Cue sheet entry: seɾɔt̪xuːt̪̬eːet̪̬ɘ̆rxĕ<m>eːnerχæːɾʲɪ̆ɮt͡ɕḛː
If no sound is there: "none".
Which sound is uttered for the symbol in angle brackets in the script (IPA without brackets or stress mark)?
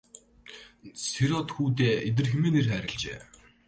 m